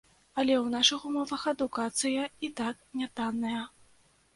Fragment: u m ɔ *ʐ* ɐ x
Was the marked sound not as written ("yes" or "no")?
yes